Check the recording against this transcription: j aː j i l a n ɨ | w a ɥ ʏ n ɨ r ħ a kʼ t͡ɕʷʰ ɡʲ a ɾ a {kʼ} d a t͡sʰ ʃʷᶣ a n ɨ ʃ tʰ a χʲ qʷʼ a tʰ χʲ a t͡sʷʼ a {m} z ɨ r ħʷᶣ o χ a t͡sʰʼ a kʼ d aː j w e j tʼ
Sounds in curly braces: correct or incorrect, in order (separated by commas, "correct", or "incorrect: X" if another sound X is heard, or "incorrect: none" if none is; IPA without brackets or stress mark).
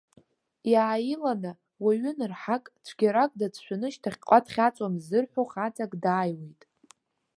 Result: correct, correct